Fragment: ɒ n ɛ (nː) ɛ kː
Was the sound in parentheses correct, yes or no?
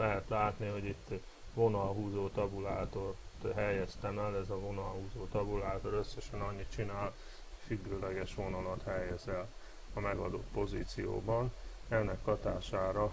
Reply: yes